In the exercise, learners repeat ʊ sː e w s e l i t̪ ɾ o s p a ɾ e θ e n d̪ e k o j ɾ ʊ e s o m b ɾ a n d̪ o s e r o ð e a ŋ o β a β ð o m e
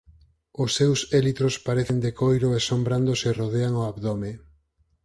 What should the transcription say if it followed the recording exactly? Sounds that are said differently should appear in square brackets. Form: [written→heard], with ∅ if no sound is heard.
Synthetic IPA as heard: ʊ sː e w s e l i t̪ ɾ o s p a ɾ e θ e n d̪ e k o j ɾ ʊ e s o m b ɾ a n d̪ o s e r o ð e a ŋ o [β→∅] a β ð o m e